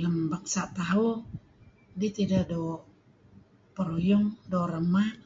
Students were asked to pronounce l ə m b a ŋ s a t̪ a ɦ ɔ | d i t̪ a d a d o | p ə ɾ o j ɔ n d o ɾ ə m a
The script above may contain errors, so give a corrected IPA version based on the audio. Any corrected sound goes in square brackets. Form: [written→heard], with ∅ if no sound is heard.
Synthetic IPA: l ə m b a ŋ s a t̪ a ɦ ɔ | d i t̪ [a→i] d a d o | p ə ɾ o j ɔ [n→ŋ] d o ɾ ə m a